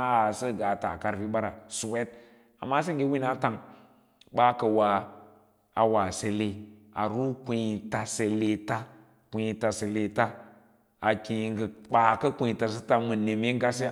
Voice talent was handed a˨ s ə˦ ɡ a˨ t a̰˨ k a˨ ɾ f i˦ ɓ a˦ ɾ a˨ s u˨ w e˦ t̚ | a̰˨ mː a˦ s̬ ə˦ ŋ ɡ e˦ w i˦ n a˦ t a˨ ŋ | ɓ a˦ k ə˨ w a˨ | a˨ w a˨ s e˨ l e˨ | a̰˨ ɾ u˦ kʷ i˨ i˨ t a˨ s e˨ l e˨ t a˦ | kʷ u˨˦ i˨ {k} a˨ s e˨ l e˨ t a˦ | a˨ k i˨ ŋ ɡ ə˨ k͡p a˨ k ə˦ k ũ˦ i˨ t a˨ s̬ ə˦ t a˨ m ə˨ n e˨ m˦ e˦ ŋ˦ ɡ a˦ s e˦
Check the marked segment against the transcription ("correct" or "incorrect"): incorrect